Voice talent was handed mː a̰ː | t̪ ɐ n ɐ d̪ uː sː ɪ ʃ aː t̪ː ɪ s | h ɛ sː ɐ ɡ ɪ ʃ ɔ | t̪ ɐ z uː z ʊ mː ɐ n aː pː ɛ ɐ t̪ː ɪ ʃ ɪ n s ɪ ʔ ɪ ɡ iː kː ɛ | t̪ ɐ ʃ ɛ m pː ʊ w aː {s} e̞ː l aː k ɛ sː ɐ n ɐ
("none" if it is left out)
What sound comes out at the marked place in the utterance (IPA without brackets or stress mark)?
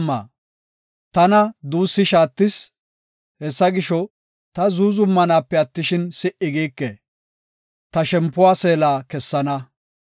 s